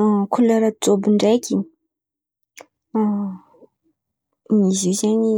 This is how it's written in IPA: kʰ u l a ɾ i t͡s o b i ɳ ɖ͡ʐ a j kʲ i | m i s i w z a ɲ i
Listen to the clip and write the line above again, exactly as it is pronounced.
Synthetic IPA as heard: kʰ u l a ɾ a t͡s o b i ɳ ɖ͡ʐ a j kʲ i | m i z i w z a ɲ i